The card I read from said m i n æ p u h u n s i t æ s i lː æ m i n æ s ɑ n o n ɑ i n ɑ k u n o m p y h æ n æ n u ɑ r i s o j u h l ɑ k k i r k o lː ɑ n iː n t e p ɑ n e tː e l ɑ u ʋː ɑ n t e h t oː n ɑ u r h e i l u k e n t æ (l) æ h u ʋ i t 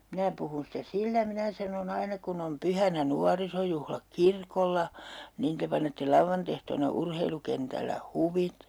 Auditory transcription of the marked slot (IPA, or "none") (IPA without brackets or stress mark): lː